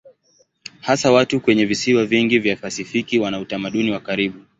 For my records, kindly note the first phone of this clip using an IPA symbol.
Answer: h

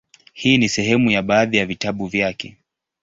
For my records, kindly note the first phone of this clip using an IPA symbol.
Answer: h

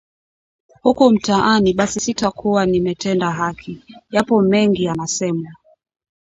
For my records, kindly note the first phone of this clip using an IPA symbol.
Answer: h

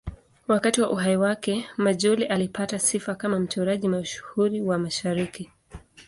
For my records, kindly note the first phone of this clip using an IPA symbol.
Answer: w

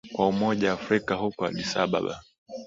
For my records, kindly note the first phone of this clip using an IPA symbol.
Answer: k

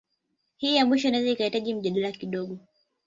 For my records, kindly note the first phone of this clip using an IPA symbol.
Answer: h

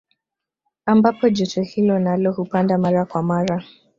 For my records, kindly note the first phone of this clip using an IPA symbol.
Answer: a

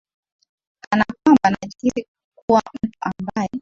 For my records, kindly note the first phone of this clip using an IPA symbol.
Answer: a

